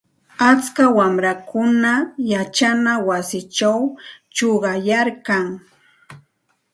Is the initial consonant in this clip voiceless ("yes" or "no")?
yes